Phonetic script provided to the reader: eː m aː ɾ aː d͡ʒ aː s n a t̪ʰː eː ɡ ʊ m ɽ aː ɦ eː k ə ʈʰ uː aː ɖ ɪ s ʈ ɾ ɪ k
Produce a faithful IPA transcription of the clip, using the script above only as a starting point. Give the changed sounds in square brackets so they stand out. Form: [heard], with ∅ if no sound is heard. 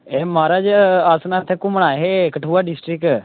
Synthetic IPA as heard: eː m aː ɾ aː d͡ʒ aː s n a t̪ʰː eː [k] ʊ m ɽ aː ɦ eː k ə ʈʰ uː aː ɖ ɪ s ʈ ɾ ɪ k